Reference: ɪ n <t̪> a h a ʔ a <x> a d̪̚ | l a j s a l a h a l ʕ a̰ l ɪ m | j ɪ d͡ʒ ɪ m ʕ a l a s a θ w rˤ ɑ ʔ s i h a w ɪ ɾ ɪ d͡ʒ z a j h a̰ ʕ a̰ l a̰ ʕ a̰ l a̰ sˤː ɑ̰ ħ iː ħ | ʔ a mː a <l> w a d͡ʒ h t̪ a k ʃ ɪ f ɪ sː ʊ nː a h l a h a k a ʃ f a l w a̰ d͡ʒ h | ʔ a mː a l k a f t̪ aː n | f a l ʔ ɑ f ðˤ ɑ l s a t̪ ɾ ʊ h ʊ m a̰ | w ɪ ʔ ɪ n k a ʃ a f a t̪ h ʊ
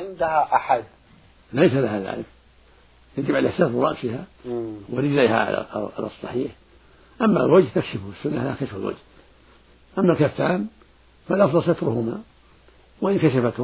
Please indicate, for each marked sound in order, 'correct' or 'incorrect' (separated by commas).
incorrect, incorrect, correct